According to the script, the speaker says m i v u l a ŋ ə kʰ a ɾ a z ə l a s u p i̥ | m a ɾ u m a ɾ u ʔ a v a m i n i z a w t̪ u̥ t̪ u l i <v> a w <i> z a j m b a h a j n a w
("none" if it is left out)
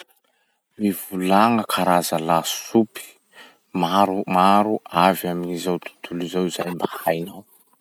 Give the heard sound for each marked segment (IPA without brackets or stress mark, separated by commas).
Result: z, i